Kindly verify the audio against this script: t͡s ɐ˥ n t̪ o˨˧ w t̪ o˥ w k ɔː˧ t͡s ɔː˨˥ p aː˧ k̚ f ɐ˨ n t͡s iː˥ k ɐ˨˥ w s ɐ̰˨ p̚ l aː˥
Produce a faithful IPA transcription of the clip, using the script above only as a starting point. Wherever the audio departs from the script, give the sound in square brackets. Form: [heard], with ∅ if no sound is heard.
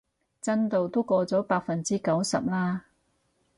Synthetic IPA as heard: t͡s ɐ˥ n t̪ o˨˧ w t̪ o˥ w k ɔː˧ t͡s ɔː˨˥ p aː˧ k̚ f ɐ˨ n t͡s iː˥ k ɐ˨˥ w s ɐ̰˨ p̚ l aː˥